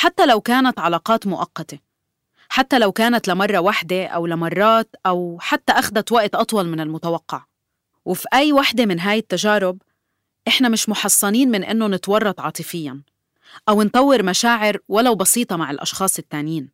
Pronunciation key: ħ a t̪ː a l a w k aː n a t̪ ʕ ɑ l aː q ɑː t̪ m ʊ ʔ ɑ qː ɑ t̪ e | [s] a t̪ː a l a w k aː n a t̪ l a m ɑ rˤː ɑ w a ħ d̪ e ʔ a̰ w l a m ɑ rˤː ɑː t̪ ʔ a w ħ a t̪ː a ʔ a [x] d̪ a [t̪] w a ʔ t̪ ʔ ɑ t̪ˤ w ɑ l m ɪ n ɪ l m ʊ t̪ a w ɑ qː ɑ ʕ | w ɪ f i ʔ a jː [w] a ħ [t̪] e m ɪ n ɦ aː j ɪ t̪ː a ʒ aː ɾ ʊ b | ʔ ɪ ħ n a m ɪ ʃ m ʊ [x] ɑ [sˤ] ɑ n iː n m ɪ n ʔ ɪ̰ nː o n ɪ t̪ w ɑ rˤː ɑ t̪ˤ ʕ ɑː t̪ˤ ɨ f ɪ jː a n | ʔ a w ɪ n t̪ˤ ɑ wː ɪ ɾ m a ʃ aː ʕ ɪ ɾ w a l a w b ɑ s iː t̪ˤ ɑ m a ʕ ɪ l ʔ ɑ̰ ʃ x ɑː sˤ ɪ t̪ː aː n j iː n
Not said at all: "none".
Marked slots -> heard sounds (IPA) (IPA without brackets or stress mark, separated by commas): ħ, x, t̪, w, d̪, ħ, sˤː